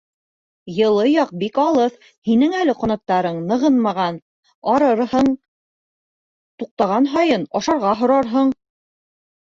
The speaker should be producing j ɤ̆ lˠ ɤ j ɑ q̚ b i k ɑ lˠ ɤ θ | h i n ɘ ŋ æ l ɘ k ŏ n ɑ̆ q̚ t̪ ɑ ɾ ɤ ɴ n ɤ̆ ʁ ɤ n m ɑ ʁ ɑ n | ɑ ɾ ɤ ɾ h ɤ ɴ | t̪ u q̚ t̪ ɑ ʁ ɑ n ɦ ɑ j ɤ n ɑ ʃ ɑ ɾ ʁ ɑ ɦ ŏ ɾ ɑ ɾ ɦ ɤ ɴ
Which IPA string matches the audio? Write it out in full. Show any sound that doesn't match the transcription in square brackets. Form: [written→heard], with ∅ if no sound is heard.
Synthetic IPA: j ɤ̆ lˠ ɤ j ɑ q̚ b i k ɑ lˠ ɤ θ | h i n ɘ ŋ æ l ɘ [k→q] ŏ n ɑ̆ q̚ t̪ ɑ ɾ ɤ ɴ n ɤ̆ ʁ ɤ n m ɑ ʁ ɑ n | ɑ ɾ ɤ ɾ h ɤ ɴ | t̪ u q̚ t̪ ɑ ʁ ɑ n ɦ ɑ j ɤ n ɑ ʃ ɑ ɾ ʁ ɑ ɦ ŏ ɾ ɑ ɾ ɦ ɤ ɴ